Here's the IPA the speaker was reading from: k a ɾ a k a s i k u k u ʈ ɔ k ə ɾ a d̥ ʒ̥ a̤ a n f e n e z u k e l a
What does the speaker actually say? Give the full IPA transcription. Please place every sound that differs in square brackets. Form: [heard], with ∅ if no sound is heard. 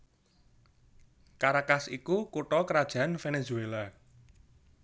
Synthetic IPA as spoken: k a ɾ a k a s i k u k u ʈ ɔ k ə ɾ a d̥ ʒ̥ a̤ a n f e n e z u [∅] e l a